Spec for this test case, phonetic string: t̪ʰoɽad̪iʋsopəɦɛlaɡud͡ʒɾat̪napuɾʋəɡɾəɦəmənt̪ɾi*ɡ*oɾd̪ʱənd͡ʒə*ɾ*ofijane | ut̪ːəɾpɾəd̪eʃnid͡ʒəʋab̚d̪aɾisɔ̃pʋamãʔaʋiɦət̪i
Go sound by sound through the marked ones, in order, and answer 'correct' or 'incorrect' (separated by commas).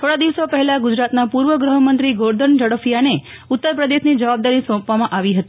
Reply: correct, incorrect